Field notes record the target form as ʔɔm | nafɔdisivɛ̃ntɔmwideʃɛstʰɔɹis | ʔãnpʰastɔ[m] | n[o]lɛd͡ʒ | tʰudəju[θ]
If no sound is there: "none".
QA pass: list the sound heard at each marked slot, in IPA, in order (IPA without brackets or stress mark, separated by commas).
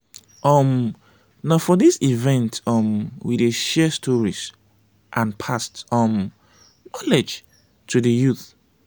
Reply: m, ɔ, θ